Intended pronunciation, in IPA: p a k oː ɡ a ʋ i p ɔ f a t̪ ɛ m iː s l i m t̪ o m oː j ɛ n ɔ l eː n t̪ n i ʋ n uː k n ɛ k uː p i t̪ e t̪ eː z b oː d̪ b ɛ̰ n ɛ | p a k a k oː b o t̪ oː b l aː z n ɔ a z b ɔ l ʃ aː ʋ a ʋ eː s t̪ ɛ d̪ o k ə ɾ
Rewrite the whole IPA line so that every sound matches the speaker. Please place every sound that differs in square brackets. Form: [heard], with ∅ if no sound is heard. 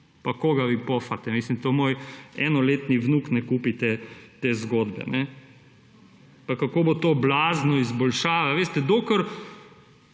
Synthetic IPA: p a k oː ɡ a ʋ i p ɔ f a t̪ ɛ m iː s l i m t̪ o m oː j ɛ n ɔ l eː [∅] t̪ n i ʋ n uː k n ɛ k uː p i t̪ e t̪ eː z [ɡ] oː d̪ b ɛ̰ n ɛ | p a k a k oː b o t̪ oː b l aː z n ɔ [i] z b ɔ l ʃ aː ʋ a ʋ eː s t̪ ɛ d̪ o k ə ɾ